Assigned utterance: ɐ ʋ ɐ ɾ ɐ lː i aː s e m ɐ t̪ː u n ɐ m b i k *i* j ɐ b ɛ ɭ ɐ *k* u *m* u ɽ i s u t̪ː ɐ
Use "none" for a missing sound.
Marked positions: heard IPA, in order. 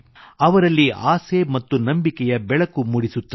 ɛ, k, m

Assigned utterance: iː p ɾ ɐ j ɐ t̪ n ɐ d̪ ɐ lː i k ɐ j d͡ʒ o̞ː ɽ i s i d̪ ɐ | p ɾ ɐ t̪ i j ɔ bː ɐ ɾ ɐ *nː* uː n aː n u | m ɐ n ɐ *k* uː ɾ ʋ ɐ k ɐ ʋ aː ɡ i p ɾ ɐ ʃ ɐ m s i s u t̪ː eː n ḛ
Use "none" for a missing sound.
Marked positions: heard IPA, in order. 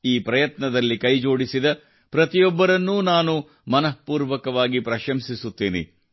nː, p

